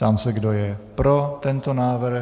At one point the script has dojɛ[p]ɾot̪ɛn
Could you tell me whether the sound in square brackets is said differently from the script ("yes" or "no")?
no